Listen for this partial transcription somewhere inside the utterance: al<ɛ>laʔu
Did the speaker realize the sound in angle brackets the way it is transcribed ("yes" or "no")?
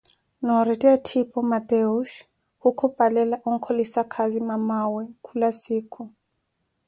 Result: yes